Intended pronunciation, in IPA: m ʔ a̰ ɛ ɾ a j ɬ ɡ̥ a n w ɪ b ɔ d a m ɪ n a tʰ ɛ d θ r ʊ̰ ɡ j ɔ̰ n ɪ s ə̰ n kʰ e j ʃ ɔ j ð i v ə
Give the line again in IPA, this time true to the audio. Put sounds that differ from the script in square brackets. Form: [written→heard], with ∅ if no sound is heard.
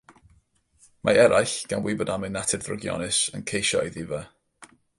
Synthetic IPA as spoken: m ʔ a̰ ɛ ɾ a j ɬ ɡ̥ a n w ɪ b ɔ d a m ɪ n a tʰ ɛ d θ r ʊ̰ ɡ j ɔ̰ n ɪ s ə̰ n kʰ e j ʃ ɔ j ð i v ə